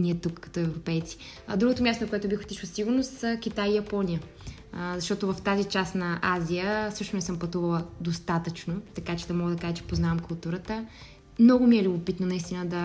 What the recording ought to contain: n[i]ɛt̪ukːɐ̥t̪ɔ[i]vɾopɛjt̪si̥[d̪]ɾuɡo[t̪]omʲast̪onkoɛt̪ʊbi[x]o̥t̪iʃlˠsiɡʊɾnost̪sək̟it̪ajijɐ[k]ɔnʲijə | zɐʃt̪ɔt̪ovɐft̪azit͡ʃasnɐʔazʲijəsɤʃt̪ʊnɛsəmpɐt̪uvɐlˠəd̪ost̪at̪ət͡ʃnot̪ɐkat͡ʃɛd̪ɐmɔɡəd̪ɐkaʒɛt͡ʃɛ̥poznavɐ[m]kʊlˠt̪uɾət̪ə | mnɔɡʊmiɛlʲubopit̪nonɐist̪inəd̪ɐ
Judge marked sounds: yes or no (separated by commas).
yes, no, yes, yes, yes, no, yes